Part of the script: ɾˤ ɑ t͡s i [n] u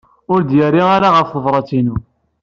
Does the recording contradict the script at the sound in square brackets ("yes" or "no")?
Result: no